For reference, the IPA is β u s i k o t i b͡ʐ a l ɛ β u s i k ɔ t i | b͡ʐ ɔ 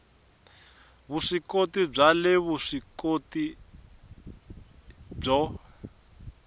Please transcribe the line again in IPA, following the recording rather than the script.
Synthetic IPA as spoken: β u ʂ i k o t i b͡ʐ a l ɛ β u ʂ i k o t i | b͡ʐ ɔ